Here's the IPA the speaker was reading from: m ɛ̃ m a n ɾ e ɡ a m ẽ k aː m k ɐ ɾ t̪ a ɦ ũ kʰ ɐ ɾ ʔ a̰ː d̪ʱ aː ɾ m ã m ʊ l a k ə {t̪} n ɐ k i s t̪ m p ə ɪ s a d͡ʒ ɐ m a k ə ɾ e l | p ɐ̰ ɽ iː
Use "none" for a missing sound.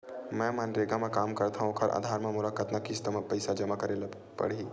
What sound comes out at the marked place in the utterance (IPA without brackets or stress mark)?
t̪